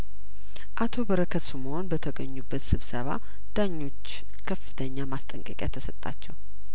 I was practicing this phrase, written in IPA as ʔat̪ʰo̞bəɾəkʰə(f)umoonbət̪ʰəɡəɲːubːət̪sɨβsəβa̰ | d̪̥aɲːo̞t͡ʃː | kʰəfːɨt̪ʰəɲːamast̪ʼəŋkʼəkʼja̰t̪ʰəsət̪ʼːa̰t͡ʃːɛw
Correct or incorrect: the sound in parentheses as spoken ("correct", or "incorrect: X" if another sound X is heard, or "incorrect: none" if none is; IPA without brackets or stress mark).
incorrect: s